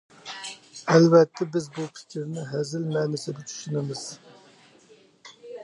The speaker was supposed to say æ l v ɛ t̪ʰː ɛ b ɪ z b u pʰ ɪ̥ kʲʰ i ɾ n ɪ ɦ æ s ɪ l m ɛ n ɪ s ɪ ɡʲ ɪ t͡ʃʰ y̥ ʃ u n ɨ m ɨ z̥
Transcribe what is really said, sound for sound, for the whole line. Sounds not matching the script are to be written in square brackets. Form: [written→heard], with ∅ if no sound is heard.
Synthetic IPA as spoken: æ l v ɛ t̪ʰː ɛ b ɪ z b u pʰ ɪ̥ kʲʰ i ɾ n ɪ ɦ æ [s→z] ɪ l m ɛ n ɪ s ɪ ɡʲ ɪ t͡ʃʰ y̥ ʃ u n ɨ m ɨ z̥

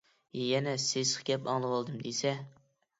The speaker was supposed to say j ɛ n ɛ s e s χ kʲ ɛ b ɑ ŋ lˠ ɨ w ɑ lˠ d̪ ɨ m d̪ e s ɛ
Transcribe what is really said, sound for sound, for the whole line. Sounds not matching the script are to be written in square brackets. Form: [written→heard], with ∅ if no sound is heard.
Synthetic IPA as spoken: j ɛ n ɛ s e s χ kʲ ɛ [b→p] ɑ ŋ lˠ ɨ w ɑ lˠ d̪ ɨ m d̪ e s ɛ

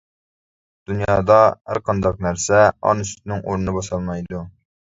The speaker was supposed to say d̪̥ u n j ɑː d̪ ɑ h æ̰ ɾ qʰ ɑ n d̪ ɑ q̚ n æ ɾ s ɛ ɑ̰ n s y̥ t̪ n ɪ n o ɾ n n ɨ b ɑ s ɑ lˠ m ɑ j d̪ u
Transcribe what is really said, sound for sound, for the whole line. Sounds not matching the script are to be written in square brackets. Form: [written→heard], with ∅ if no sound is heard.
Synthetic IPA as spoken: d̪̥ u n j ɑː d̪ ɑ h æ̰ ɾ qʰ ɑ n d̪ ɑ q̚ n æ ɾ s ɛ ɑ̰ n s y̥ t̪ n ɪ [n→ŋ] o ɾ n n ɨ b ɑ s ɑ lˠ m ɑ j d̪ u

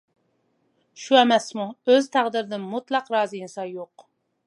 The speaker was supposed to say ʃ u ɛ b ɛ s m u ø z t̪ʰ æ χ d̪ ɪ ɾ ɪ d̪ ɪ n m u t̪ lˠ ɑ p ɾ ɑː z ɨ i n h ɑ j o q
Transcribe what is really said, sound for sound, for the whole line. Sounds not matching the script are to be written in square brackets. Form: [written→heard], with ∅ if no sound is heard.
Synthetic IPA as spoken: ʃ u ɛ [b→m] ɛ s m u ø z t̪ʰ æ [χ→ʁ] d̪ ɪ ɾ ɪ d̪ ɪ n m u t̪ lˠ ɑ [p→q] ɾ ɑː z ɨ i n [h→s] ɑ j o q

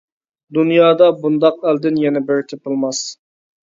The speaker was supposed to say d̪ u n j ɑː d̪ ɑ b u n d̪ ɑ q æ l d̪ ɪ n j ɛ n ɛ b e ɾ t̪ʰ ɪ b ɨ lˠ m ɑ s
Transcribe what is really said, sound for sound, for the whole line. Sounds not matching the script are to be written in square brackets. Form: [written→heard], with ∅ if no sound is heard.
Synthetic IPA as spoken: d̪ u n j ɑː d̪ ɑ b u n d̪ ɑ q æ l d̪ ɪ n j ɛ n ɛ b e ɾ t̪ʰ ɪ [b→p] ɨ lˠ m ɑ s

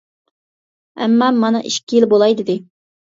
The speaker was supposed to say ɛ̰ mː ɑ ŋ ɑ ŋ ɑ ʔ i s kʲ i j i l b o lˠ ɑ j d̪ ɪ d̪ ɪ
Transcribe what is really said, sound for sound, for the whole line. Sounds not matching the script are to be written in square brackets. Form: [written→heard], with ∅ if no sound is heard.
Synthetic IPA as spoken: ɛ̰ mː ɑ [ŋ→m] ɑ [ŋ→n] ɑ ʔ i [s→ʃ] kʲ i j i l b o lˠ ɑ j d̪ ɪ d̪ ɪ

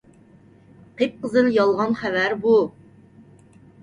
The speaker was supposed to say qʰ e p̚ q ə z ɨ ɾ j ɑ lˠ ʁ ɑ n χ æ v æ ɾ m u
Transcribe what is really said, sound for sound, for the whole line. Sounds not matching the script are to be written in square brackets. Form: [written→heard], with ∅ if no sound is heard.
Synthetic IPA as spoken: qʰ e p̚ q ə z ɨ [ɾ→l] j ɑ lˠ ʁ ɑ n χ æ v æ ɾ [m→b] u

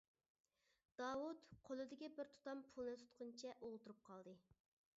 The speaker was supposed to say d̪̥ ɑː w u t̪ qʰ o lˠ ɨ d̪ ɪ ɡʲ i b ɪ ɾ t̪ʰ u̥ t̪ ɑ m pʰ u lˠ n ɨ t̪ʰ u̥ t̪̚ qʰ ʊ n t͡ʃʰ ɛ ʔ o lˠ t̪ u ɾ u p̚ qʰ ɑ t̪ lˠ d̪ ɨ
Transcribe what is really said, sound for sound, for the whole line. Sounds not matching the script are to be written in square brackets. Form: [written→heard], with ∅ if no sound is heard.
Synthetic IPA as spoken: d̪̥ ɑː w u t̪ qʰ o lˠ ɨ d̪ ɪ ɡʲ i b ɪ ɾ t̪ʰ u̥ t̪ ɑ m pʰ u lˠ n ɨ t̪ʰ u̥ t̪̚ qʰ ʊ n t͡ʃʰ ɛ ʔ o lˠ t̪ u ɾ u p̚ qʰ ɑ [t̪→∅] lˠ d̪ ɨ

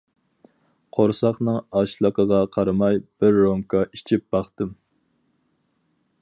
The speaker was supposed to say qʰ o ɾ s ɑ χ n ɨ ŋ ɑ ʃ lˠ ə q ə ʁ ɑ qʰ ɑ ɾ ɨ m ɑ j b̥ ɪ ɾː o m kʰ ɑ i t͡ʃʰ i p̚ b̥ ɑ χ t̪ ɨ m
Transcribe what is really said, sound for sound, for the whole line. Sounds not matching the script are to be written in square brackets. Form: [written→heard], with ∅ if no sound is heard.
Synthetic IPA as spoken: qʰ o ɾ s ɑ χ n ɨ ŋ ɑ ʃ lˠ ə q ə ʁ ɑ qʰ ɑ ɾ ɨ m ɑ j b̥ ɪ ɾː o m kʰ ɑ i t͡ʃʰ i p̚ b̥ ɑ χ t̪ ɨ m

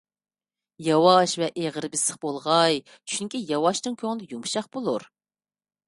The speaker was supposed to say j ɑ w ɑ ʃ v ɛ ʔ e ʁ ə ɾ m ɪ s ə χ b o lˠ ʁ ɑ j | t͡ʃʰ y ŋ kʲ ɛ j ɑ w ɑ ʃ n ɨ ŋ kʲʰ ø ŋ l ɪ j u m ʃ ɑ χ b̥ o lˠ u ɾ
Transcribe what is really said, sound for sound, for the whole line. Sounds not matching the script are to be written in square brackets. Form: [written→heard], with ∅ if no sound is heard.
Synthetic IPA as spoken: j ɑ w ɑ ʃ v ɛ ʔ e ʁ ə ɾ [m→b] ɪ s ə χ b o lˠ ʁ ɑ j | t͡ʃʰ y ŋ kʲ [ɛ→i] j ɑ w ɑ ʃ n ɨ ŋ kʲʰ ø ŋ l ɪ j u m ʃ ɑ χ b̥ o lˠ u ɾ

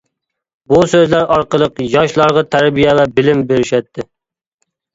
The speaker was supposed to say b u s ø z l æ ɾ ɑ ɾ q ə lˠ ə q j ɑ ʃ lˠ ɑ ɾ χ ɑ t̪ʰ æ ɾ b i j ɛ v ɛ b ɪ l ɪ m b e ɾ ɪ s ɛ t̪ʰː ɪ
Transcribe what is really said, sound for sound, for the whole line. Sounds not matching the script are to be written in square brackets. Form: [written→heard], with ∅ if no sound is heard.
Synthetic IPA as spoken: b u s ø z l æ ɾ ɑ ɾ q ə lˠ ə q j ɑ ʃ lˠ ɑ ɾ [χ→ʁ] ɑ t̪ʰ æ ɾ b i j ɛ v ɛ b ɪ l ɪ m b e ɾ ɪ [s→ʃ] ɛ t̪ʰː ɪ

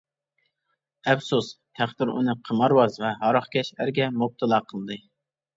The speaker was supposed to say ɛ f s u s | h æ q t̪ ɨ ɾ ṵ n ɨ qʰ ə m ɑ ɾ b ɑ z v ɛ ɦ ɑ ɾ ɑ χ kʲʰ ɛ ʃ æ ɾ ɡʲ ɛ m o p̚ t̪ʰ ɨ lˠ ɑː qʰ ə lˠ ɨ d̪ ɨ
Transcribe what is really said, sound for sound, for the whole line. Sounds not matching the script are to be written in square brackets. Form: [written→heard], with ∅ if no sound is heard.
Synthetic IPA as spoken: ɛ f s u s | h æ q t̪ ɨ ɾ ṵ n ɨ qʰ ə m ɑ ɾ [b→w] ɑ z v ɛ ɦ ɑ ɾ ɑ χ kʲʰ ɛ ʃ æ ɾ ɡʲ ɛ m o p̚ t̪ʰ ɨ lˠ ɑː qʰ ə lˠ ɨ d̪ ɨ

